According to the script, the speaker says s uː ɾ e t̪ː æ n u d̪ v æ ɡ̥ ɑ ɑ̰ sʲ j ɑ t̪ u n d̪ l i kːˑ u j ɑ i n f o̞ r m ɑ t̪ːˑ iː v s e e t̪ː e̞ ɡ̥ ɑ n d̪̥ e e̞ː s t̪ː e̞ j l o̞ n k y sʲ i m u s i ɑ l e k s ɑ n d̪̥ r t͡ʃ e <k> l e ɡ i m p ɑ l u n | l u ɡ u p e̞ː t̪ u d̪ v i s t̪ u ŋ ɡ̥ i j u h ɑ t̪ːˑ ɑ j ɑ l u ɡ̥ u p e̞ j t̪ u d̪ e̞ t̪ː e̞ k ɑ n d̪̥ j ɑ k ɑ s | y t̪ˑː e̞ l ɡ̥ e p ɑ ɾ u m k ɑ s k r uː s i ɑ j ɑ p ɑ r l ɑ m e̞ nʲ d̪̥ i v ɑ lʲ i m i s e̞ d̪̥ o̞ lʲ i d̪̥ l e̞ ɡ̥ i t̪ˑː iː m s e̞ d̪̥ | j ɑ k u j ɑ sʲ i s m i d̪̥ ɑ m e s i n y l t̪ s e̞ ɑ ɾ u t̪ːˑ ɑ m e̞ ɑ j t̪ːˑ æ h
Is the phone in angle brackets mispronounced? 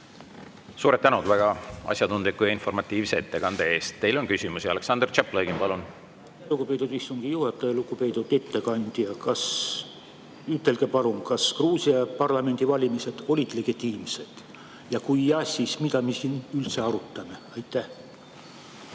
yes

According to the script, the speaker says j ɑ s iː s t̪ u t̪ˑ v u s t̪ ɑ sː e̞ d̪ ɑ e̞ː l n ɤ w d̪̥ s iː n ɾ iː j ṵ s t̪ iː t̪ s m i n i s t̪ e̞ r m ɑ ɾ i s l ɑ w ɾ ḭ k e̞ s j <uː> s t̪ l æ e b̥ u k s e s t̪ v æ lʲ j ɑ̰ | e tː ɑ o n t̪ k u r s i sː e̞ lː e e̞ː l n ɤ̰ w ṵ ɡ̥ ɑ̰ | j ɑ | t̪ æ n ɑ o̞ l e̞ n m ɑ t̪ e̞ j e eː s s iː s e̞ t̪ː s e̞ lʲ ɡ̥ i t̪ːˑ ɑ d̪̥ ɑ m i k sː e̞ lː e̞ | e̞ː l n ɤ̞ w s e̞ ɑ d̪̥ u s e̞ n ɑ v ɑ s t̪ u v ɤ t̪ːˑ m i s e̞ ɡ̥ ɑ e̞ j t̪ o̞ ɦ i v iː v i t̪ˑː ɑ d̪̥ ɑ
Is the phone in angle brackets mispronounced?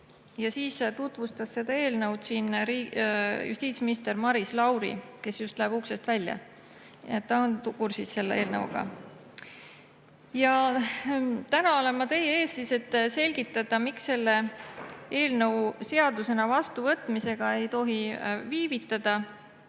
yes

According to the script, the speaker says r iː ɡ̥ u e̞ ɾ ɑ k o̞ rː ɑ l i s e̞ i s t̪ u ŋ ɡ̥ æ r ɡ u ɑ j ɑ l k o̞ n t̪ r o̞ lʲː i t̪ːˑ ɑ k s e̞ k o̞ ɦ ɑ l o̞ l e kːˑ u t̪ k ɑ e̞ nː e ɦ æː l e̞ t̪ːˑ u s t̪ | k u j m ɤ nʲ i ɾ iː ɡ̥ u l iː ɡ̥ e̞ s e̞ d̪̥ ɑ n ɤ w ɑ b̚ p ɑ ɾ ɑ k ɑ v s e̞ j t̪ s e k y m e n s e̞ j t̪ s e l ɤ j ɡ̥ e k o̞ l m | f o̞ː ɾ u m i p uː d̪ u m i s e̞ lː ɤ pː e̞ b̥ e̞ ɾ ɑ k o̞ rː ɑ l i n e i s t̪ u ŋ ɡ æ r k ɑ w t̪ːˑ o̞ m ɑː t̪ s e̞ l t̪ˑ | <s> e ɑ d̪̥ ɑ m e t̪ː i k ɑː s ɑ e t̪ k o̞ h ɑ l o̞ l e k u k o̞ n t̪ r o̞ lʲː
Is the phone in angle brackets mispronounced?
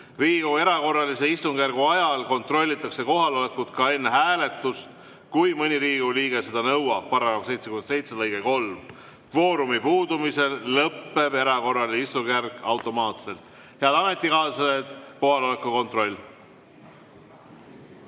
yes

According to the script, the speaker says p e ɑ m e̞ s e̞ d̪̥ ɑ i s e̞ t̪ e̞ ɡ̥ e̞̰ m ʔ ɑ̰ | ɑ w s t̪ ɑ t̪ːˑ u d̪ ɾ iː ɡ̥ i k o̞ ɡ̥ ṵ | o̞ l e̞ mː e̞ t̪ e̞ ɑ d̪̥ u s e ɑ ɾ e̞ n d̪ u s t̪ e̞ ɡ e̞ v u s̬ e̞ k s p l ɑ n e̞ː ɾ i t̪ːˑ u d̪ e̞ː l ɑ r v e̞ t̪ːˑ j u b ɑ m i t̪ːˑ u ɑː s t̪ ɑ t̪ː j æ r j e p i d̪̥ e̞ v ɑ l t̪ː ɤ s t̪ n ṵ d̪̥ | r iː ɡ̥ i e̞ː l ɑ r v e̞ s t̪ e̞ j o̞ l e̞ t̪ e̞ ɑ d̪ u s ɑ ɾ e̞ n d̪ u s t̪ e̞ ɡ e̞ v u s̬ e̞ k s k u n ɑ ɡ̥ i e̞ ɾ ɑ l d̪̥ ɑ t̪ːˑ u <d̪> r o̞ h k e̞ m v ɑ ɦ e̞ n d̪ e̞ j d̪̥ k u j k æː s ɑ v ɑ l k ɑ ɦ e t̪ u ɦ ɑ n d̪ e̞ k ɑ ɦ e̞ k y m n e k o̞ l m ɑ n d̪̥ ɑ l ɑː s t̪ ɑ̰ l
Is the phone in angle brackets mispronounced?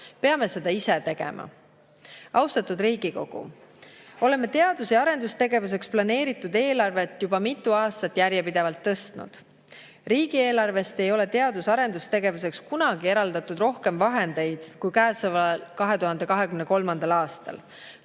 no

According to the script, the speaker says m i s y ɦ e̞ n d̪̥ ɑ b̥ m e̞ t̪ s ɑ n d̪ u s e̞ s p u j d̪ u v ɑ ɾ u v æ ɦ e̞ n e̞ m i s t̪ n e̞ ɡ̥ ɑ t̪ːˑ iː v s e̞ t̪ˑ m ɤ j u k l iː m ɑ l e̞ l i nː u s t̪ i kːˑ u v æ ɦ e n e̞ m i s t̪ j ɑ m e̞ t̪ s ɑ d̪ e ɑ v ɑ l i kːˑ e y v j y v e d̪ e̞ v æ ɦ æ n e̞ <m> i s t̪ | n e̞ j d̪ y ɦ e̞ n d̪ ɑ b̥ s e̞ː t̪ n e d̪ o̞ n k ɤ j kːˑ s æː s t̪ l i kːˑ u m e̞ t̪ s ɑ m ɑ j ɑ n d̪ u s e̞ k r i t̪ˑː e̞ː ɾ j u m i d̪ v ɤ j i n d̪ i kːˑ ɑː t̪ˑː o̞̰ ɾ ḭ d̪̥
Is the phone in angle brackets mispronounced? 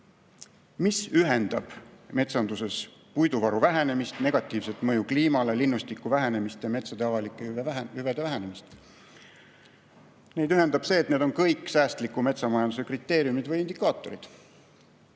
no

